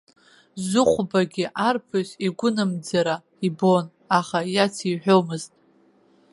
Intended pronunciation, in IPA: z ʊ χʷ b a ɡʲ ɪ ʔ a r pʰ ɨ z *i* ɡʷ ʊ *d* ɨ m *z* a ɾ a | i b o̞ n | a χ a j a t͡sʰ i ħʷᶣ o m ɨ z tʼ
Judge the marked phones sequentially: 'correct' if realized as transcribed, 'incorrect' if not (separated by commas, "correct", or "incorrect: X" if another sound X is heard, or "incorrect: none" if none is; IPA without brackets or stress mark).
correct, incorrect: n, incorrect: d͡z